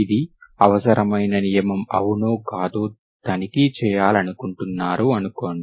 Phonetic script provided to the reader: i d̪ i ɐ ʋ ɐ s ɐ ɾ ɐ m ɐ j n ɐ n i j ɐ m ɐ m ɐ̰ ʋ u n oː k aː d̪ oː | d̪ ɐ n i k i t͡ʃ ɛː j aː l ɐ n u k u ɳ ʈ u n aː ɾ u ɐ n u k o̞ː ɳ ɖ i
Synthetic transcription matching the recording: i d̪ i ɐ ʋ ɐ s ɐ ɾ ɐ m ɐ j n ɐ n i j ɐ m ɐ m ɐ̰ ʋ u n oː k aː d̪ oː | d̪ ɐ n i k i t͡ʃ ɛː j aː l ɐ n u k u ɳ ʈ u nː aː ɾ u ɐ n u k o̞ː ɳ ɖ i